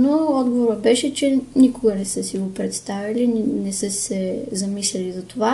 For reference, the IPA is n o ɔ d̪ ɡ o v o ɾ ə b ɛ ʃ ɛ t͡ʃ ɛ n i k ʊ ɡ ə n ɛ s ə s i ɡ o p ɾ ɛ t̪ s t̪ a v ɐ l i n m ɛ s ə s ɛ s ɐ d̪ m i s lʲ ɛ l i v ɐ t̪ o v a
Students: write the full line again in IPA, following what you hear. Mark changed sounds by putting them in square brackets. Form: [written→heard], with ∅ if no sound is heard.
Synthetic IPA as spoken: n o ɔ d̪ ɡ o v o ɾ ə b ɛ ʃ ɛ t͡ʃ ɛ n i k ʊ ɡ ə n ɛ s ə s i ɡ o p ɾ ɛ t̪ s t̪ a v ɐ l i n [m→n] ɛ s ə s ɛ [s→z] ɐ [d̪→∅] m i s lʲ ɛ l i [v→z] ɐ t̪ o v a